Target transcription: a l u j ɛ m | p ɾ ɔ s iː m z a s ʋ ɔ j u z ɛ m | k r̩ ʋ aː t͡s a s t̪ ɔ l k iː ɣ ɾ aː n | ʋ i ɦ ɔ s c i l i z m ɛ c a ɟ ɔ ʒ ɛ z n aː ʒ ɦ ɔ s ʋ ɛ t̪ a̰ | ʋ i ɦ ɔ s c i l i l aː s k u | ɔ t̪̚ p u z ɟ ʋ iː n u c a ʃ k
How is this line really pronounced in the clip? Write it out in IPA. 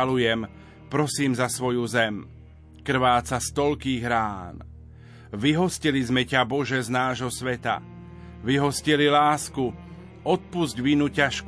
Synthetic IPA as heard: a l u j ɛ m | p ɾ ɔ s iː m z a s ʋ ɔ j u z ɛ m | k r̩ ʋ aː t͡s a s t̪ ɔ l k iː ɣ ɾ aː n | ʋ i ɦ ɔ s c i l i z m ɛ c a b ɔ ʒ ɛ z n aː ʒ ɦ ɔ s ʋ ɛ t̪ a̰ | ʋ i ɦ ɔ s c i l i l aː s k u | ɔ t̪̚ p u z ɟ ʋ i n u c a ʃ k